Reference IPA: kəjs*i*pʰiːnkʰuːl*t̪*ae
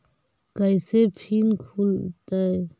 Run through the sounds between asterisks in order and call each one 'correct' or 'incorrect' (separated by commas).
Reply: incorrect, correct